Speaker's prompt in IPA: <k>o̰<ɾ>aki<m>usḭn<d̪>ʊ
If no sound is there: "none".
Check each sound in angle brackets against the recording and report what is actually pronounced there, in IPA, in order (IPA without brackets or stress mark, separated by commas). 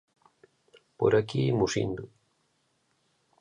p, ɾ, m, d̪